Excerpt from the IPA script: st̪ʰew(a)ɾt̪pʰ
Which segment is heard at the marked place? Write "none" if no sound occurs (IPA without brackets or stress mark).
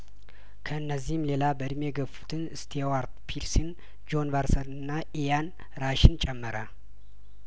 a